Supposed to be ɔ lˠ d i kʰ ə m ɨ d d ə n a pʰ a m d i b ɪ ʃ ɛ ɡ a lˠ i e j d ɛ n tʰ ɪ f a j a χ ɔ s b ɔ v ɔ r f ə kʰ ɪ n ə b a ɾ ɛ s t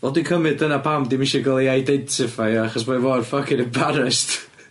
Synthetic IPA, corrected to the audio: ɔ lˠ d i kʰ ə m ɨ d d ə n a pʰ a m d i m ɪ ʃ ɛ ɡ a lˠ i a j d ɛ n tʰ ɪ f a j a χ ɔ s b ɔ v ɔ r f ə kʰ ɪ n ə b a ɾ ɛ s t